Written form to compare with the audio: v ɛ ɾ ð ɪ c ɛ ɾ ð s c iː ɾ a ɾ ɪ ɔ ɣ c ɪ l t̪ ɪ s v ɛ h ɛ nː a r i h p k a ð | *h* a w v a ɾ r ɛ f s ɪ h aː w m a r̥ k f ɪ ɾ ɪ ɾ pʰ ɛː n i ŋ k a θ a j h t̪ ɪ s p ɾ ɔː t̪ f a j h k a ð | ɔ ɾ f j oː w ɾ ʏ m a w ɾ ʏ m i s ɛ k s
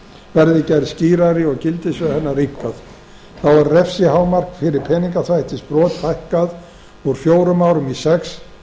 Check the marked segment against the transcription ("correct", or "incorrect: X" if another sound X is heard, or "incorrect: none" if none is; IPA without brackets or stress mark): incorrect: θ